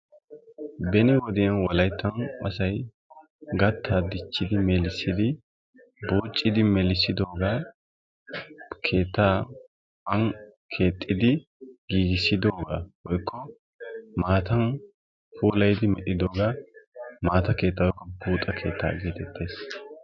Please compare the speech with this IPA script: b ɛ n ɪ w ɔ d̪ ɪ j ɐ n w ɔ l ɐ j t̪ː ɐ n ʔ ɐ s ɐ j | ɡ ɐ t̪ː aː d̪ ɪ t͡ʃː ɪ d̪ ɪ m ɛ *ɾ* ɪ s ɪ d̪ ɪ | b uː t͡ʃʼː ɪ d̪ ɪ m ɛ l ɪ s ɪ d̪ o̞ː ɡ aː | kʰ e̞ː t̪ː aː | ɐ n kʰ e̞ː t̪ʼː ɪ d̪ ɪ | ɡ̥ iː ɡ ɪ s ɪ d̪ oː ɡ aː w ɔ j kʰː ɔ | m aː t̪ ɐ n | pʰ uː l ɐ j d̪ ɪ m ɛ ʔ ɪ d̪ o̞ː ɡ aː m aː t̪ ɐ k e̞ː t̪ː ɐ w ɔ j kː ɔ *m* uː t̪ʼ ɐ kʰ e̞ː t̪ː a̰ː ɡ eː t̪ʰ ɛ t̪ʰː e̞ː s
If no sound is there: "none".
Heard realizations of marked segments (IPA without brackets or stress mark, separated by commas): l, b